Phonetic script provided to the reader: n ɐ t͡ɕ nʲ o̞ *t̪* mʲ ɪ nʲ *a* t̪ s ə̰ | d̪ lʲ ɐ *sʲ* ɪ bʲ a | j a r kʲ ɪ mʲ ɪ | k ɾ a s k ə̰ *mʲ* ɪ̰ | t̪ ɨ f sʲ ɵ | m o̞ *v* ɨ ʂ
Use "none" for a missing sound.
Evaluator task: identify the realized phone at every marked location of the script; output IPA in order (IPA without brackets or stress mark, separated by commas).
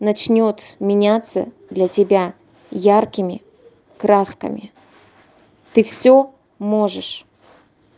t̪, a, tʲ, mʲ, ʐ